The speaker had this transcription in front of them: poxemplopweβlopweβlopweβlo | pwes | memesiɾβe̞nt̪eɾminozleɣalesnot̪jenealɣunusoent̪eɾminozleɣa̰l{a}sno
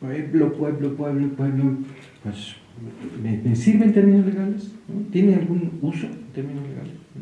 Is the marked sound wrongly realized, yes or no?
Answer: yes